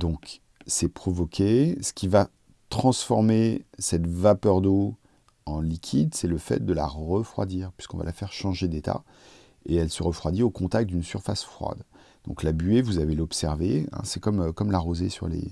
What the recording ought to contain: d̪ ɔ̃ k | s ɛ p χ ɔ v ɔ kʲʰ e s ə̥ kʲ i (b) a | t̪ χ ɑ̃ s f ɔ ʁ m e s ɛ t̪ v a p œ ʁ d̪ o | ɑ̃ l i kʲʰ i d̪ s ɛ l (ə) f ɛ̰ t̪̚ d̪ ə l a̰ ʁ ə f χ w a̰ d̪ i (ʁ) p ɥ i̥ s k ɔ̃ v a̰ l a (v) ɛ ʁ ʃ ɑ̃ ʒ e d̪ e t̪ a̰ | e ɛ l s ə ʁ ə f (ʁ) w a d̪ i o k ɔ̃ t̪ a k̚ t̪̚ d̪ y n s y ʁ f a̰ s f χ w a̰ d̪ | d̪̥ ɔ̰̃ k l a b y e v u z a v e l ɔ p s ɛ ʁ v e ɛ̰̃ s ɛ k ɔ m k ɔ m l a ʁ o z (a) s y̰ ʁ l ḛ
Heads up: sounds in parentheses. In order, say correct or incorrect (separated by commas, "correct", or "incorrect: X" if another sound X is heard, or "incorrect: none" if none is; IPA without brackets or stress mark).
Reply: incorrect: v, correct, correct, incorrect: f, incorrect: χ, incorrect: e